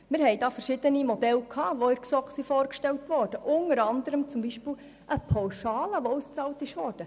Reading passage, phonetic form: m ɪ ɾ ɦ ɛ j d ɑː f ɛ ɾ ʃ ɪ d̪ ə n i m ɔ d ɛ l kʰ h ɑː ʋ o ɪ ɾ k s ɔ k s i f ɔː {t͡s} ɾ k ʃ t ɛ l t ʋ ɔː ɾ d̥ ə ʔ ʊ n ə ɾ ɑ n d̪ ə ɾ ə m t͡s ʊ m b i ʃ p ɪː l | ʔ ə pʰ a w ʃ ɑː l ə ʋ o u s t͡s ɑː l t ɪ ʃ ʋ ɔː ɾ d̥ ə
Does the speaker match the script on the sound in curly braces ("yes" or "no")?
no